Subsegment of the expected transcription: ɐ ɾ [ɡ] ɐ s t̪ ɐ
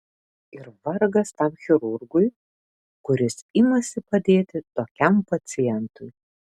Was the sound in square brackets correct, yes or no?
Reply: yes